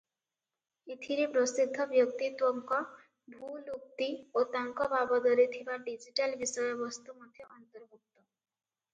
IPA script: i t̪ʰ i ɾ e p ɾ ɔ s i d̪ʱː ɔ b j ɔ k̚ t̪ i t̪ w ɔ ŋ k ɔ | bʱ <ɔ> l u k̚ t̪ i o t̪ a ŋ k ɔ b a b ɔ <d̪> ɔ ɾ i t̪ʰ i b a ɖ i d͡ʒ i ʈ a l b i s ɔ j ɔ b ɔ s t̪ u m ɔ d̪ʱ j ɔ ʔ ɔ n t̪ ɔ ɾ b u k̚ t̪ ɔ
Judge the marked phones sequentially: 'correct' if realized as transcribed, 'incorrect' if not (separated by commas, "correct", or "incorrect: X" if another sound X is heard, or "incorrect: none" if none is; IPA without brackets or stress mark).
incorrect: u, correct